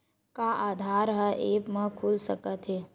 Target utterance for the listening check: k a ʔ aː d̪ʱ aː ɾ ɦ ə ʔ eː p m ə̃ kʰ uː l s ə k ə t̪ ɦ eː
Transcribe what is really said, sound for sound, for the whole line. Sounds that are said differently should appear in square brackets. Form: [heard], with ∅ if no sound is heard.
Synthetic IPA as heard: k a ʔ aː d̪ʱ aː ɾ ɦ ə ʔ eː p m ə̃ kʰ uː l s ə k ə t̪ ɦ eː